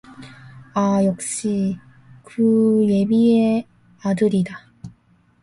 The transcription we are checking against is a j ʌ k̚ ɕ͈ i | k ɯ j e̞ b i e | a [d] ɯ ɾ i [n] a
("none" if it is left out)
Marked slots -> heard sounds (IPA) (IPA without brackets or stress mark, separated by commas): d, d